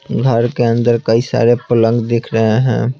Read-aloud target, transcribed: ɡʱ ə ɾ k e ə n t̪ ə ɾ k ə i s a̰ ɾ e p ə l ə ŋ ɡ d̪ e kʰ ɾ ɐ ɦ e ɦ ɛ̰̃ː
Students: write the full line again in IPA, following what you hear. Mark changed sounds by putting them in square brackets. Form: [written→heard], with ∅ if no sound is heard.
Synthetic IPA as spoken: ɡʱ ə ɾ k e ə n [t̪→d̪] ə ɾ k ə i s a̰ ɾ e p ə l ə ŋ ɡ d̪ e kʰ ɾ [ɐ→ə] ɦ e ɦ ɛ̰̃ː